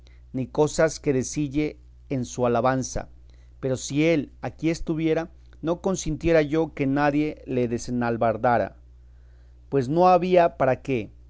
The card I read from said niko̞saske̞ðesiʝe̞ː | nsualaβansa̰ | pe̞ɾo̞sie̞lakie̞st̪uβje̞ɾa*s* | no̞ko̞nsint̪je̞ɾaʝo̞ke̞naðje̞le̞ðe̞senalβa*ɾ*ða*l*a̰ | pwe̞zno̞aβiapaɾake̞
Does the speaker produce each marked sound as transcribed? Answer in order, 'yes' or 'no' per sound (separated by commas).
no, yes, no